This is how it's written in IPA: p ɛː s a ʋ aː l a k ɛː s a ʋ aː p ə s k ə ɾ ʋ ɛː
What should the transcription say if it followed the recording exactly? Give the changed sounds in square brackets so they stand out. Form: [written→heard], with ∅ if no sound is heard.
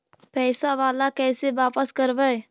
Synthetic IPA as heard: p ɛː s a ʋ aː l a k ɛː s [a→e] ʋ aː p ə s k ə ɾ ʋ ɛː